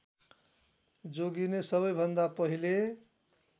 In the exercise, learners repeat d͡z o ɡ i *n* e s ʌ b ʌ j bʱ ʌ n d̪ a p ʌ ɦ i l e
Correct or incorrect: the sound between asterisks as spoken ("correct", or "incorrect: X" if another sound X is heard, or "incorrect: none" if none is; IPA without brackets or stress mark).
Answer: correct